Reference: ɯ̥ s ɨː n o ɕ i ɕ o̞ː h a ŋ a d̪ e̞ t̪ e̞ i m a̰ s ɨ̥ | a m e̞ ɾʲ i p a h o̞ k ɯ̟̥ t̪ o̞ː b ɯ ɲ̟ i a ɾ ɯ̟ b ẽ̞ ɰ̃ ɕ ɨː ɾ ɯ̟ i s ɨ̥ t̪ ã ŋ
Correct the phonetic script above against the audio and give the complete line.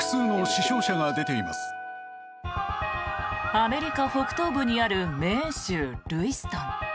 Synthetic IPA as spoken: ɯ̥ s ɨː n o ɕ i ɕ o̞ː ɕ a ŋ a d̪ e̞ t̪ e̞ i m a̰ s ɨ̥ | a m e̞ ɾʲ i k a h o̞ k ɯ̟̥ t̪ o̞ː b ɯ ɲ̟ i a ɾ ɯ̟ m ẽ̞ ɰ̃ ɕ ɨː ɾ ɯ̟ i s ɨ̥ t̪ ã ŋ